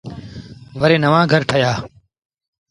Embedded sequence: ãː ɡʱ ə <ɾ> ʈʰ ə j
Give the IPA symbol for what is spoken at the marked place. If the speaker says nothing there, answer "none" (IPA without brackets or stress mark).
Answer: ɾ